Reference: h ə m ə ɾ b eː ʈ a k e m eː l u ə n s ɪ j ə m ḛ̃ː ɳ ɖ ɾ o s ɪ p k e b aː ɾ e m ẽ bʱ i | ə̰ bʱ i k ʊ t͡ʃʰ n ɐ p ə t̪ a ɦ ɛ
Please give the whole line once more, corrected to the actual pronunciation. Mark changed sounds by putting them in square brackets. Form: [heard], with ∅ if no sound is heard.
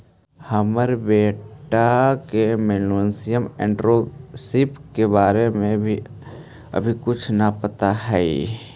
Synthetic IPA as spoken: h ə m ə ɾ b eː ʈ a k e m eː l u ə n s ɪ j ə m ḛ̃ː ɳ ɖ ɾ o s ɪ p k e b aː ɾ e m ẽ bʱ i | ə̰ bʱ i k ʊ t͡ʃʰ n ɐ p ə t̪ a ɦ ɛ

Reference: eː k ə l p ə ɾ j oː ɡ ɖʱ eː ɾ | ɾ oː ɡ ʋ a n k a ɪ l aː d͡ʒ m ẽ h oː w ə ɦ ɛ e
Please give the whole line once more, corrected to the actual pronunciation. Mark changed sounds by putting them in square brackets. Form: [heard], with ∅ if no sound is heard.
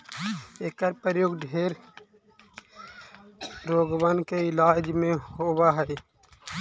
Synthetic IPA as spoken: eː k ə [ɾ] p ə ɾ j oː ɡ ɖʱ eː ɾ | ɾ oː ɡ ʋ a n k [e] ɪ l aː d͡ʒ m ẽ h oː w [a] ɦ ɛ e

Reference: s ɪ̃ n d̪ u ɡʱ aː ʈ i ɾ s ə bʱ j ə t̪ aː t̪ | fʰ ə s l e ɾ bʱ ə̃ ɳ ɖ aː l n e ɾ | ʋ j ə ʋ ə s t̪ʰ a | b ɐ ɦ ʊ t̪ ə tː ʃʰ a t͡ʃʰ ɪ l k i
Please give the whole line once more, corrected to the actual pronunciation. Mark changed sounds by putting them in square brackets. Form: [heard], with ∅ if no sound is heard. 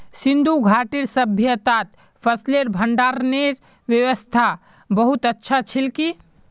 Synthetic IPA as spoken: s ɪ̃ n d̪ u ɡʱ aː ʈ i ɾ s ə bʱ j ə t̪ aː t̪ | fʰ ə s l e ɾ bʱ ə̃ ɳ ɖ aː [ɾ] n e ɾ | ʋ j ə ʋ ə s t̪ʰ a | b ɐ ɦ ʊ t̪ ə tː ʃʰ a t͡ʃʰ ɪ l k i

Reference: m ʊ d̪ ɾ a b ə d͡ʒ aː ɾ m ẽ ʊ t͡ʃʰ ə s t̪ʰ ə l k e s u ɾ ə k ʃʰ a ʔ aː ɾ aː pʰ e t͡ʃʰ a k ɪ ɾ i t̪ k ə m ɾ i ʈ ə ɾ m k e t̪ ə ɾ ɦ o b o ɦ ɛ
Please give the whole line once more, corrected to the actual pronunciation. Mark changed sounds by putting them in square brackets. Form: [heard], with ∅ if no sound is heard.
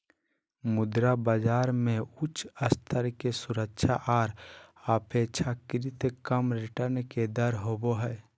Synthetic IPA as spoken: m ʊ d̪ ɾ a b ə d͡ʒ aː ɾ m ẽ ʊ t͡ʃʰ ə s t̪ʰ ə [ɾ] k e s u ɾ ə k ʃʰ a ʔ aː ɾ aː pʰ e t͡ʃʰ a k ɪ ɾ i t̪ k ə m ɾ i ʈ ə ɾ [n] k e [d̪] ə ɾ ɦ o b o ɦ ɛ

